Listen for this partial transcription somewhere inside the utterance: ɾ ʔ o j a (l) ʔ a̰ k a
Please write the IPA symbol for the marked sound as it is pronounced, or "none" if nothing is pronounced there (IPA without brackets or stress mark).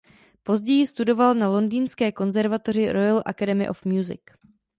l